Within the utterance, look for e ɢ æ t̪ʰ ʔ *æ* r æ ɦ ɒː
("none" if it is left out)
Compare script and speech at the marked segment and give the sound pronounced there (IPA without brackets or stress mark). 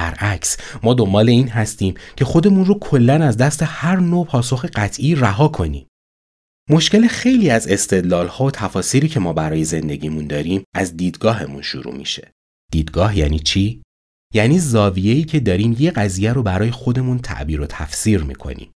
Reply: i